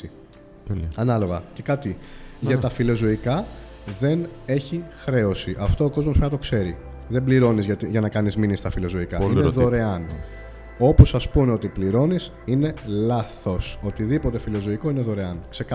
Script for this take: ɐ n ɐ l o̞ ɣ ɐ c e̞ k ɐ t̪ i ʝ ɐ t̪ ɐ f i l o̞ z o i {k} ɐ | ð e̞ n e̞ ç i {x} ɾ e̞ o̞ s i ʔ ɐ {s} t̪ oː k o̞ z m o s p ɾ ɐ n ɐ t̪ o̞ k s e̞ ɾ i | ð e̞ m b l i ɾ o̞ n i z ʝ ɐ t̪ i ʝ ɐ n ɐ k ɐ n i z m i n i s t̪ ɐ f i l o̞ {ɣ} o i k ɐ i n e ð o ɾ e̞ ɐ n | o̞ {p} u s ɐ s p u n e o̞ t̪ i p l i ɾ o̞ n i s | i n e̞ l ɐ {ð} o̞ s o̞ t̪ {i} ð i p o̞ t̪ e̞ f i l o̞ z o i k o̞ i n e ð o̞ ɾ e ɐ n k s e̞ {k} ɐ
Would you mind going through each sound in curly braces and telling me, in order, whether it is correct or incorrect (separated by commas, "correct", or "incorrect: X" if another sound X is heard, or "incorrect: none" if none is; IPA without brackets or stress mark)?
correct, correct, incorrect: f, incorrect: z, correct, incorrect: θ, correct, correct